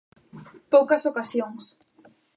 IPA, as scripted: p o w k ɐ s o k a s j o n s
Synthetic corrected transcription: p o w k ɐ s o k a s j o ŋ s